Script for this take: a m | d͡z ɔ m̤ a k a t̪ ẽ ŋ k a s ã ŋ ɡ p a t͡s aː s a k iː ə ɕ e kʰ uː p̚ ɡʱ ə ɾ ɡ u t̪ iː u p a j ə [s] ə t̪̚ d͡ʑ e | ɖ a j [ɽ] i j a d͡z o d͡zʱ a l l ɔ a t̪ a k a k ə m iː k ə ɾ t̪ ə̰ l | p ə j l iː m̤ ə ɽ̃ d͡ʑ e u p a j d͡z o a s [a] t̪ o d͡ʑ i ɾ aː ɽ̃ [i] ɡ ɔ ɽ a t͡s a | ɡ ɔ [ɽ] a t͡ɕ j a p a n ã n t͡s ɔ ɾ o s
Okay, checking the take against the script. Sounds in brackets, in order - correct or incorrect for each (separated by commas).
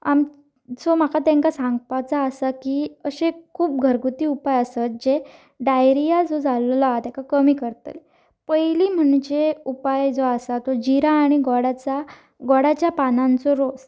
correct, incorrect, correct, correct, correct